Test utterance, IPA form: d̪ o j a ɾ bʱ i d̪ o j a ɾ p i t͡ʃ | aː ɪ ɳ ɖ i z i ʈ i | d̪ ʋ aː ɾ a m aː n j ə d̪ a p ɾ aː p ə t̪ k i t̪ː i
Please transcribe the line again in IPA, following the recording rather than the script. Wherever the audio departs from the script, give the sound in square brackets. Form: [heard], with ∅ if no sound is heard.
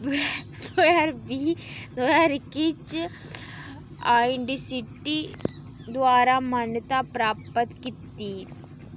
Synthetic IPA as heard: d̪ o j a ɾ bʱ i d̪ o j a ɾ [k] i t͡ʃ | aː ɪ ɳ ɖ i [s] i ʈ i | d̪ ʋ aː ɾ a m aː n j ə [t̪] a p ɾ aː p ə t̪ k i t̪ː i